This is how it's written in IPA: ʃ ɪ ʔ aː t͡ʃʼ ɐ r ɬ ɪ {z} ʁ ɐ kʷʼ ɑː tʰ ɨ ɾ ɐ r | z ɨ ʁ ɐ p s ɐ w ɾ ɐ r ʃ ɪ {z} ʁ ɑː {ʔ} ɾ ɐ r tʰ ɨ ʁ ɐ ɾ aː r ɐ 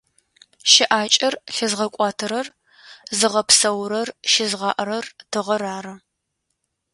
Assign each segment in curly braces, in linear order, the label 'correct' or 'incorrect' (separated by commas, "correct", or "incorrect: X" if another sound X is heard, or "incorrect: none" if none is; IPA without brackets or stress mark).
correct, correct, correct